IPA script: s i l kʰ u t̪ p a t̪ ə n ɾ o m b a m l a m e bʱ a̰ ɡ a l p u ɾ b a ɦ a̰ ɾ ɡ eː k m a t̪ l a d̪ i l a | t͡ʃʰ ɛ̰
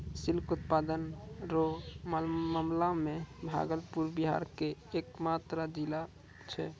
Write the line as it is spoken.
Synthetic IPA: s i l k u t̪ p a d̪ ə n ɾ o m m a m l a m e bʱ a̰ ɡ ə l p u ɾ b i ɦ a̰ ɾ k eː k m a t̪ ɾ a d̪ i l a | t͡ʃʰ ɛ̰